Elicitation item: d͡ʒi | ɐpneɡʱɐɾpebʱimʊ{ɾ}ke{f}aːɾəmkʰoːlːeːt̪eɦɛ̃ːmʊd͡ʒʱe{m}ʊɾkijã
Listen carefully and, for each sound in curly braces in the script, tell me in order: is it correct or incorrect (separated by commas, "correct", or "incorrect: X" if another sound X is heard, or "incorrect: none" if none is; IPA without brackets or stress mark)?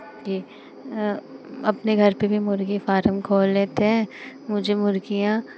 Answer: correct, correct, correct